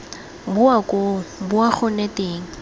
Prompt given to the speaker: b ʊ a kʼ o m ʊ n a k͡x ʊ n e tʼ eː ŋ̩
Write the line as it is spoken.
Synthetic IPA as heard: b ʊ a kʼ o b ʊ a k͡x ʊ n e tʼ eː ŋ̩